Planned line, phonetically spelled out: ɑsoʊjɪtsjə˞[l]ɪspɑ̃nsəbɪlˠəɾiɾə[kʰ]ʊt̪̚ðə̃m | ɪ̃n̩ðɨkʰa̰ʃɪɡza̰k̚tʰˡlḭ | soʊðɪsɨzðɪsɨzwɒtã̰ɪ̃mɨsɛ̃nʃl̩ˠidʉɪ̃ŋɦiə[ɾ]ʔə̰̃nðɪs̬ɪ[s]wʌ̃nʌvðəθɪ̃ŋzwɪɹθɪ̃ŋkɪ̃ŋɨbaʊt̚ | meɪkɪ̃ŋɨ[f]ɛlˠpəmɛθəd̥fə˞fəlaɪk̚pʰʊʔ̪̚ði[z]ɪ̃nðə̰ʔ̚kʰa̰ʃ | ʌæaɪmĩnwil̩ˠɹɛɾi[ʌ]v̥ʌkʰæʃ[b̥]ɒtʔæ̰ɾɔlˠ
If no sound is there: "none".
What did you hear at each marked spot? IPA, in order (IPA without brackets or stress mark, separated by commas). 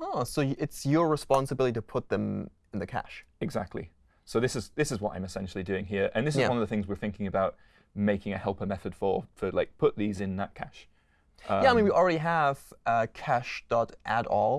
ɹ, pʰ, ɹ, z, h, z, ə, d̥